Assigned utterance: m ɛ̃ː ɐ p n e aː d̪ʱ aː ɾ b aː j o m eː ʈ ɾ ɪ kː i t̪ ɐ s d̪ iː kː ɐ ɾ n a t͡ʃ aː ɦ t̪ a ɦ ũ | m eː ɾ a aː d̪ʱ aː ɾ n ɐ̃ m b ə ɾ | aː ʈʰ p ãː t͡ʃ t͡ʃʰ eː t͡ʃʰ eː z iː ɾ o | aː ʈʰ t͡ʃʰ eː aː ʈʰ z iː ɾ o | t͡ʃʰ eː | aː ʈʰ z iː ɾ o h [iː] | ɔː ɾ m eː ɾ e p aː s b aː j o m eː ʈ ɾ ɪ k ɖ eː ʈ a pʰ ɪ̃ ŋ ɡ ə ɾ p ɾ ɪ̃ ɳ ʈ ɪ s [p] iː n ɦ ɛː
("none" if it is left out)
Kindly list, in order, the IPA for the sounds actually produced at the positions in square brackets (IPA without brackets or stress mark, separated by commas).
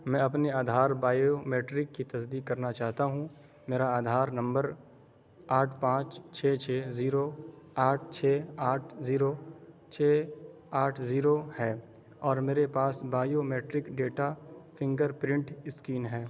ɛː, k